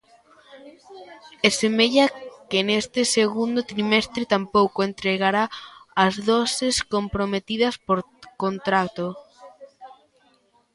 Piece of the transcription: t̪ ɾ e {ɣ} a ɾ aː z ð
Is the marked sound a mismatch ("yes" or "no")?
no